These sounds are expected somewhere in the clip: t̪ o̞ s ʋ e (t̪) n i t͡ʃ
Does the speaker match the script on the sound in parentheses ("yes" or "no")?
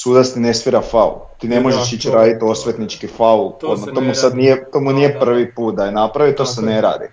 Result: yes